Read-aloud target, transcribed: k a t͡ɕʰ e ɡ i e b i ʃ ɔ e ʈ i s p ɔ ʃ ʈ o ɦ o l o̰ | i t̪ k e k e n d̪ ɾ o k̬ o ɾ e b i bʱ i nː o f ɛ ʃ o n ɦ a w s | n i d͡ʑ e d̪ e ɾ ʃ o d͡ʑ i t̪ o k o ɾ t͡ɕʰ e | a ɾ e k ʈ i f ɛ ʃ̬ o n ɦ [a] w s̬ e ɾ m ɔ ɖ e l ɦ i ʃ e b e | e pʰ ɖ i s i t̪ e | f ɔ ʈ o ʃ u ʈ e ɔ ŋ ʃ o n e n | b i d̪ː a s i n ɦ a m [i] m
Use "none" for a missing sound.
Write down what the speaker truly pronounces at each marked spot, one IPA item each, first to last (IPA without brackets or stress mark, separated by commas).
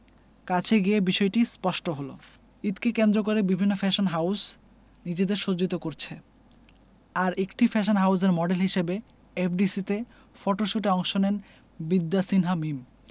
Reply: a, i